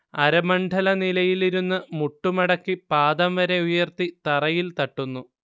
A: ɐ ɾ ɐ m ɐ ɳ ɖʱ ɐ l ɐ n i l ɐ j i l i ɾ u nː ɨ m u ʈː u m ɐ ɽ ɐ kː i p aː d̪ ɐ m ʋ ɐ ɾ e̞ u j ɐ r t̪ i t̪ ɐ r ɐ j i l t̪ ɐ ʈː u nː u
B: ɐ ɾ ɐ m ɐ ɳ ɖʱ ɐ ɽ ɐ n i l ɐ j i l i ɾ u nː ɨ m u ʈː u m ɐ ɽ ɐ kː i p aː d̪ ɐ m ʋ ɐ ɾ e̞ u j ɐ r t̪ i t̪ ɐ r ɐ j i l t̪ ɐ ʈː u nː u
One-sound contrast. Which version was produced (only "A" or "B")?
A